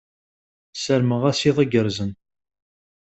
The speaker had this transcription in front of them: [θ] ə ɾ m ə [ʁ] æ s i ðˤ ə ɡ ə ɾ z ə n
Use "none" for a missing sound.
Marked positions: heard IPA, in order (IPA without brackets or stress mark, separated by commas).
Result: s, ʁ